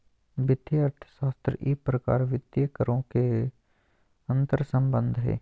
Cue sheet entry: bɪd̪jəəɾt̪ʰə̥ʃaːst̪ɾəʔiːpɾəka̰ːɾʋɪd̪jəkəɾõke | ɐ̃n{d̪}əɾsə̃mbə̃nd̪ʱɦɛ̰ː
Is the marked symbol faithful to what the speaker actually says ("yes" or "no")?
no